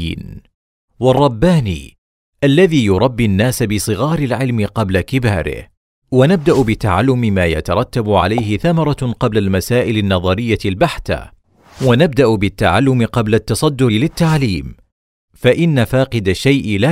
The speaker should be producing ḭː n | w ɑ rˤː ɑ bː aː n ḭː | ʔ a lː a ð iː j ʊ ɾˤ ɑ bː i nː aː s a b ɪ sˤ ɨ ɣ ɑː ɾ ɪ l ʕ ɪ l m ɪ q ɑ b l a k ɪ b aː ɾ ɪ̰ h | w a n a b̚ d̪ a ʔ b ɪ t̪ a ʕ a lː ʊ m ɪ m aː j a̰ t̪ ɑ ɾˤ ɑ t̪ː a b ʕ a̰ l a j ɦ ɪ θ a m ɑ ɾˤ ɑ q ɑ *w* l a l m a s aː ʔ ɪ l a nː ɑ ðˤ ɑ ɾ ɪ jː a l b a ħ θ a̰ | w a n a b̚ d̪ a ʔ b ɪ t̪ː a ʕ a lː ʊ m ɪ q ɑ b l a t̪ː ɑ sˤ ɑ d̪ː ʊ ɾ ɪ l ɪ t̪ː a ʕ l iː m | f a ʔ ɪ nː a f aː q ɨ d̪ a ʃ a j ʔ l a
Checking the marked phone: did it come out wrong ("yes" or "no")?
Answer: yes